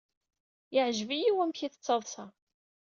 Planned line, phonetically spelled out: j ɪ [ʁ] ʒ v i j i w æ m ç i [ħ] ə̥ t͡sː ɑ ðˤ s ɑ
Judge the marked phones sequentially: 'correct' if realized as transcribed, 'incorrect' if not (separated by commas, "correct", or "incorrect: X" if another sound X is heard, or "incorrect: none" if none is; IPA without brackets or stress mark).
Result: incorrect: ʕ, incorrect: θ